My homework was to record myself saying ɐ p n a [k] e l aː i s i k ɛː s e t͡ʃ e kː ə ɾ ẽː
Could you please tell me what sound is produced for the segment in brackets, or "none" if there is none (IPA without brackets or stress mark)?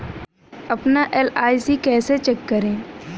ʔ